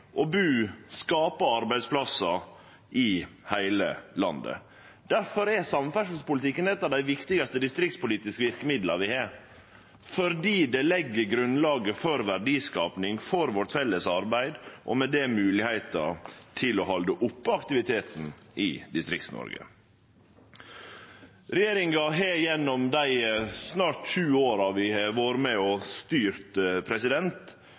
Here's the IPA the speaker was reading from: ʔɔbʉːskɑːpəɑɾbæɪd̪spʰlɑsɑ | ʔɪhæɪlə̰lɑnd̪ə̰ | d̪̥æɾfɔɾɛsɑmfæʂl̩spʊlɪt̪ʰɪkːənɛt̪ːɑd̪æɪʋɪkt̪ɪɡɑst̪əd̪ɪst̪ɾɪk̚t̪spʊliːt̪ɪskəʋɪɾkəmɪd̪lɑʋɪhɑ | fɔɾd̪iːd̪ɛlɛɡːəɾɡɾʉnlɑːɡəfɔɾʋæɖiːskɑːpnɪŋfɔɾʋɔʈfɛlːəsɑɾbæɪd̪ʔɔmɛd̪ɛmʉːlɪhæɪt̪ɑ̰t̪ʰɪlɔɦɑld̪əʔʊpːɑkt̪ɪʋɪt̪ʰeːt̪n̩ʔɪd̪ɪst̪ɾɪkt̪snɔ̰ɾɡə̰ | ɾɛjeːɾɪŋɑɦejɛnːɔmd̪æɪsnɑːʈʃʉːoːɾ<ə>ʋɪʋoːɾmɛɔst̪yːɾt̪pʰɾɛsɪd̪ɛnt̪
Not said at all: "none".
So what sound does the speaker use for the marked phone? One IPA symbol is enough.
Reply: ɑ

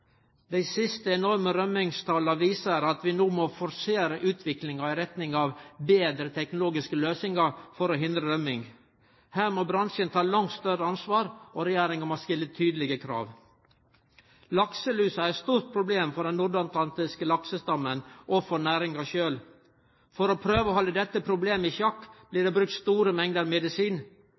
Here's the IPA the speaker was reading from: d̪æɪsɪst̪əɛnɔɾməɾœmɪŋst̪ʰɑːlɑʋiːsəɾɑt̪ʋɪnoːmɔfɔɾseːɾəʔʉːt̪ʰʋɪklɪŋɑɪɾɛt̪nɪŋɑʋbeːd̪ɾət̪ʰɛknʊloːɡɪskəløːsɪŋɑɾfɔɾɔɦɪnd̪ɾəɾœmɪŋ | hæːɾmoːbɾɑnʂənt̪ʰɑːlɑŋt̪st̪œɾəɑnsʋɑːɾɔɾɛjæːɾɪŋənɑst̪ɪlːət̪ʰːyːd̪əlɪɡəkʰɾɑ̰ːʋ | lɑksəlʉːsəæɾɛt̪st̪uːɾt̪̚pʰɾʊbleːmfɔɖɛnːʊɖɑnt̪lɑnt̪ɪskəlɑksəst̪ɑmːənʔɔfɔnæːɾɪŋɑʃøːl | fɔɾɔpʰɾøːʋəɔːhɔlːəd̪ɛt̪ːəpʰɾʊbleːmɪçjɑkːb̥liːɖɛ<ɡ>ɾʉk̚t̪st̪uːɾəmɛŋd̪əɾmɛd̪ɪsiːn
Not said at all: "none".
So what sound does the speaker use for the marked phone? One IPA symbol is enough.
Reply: b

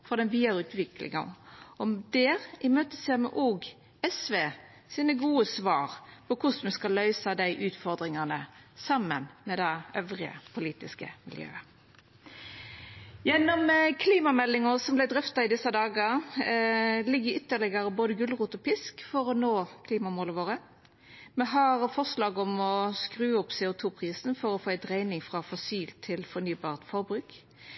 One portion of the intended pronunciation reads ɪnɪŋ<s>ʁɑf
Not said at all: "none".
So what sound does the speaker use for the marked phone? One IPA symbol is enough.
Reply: f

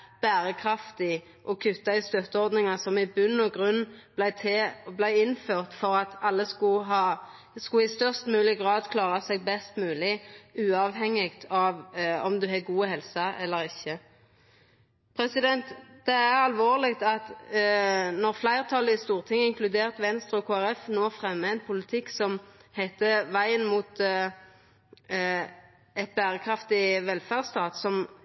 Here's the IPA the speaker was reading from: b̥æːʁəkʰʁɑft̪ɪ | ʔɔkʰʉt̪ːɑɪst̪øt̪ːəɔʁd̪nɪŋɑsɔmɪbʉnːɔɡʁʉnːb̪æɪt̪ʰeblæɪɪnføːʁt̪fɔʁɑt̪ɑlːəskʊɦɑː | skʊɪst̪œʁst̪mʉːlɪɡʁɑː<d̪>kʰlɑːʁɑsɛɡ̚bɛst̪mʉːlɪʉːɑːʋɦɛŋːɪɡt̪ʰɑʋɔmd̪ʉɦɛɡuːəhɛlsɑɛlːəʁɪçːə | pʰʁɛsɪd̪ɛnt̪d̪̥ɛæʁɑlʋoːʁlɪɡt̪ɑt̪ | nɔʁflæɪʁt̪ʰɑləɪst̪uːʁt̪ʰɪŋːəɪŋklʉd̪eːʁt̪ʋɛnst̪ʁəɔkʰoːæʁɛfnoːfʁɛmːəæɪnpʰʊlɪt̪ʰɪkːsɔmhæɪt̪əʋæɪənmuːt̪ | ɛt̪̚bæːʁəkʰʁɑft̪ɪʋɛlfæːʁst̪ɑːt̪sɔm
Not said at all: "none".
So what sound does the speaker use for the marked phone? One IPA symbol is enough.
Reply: d̪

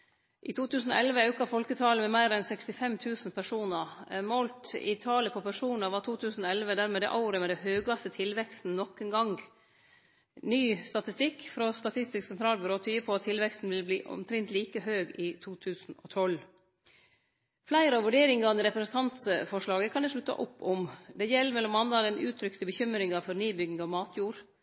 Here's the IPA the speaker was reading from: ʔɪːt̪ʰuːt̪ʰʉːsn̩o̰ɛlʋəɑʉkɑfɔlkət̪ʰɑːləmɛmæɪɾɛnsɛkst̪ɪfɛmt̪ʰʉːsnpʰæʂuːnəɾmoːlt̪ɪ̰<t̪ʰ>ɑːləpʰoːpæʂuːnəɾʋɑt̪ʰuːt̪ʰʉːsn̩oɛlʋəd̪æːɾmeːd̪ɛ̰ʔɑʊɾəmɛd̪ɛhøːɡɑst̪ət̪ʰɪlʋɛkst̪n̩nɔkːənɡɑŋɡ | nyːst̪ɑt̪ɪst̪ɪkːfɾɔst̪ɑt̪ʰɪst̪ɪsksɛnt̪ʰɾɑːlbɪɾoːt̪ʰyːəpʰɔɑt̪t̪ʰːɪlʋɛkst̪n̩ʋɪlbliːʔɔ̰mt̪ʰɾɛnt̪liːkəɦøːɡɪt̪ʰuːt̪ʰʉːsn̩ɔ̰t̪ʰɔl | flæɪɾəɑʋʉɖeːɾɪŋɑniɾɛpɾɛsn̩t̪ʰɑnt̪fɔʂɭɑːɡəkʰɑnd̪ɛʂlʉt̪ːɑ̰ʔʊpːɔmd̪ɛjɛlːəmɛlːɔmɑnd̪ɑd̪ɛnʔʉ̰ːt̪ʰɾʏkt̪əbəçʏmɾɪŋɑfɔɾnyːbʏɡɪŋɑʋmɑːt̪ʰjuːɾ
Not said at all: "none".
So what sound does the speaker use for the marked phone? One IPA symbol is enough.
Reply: t̪ʰ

